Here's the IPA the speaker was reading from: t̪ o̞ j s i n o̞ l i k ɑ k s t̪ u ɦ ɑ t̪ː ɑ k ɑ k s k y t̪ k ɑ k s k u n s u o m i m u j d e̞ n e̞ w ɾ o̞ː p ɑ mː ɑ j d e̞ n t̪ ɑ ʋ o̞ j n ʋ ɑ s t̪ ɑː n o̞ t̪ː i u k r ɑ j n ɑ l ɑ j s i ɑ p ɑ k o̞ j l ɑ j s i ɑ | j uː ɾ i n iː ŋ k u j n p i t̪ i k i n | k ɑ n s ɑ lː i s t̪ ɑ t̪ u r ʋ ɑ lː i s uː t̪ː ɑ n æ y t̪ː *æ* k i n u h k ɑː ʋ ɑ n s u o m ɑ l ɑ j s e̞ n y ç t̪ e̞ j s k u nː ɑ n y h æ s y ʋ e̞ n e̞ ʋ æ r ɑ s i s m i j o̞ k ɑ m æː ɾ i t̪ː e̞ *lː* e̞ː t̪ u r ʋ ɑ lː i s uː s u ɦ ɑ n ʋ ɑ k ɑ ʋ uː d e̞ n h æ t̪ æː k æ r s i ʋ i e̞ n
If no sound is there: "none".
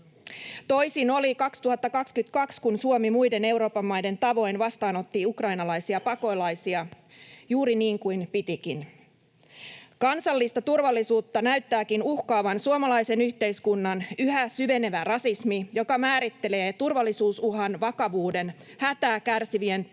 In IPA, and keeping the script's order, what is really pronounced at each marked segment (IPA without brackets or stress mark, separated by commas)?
æː, l